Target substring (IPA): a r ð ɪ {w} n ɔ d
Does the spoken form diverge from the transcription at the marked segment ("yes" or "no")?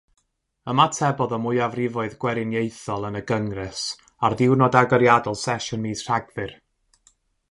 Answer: no